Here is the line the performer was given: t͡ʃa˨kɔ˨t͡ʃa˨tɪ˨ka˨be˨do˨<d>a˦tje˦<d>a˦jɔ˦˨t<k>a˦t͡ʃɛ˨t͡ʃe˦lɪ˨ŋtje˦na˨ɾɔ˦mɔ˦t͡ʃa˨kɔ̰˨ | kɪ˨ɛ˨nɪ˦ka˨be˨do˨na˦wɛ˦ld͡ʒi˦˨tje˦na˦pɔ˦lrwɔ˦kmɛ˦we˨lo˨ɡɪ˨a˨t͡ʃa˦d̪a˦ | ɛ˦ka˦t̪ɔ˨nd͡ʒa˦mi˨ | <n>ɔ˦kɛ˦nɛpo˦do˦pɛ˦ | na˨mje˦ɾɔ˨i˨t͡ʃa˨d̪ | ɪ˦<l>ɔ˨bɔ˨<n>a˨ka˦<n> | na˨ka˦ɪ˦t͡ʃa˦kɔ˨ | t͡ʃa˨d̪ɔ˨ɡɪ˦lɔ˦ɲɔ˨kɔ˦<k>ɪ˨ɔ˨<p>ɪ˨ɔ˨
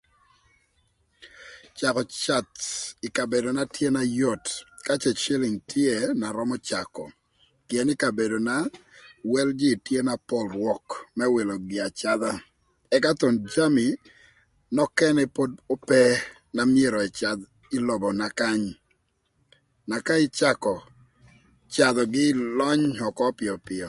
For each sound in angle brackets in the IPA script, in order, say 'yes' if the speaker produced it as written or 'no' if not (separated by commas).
no, no, yes, yes, yes, yes, no, no, yes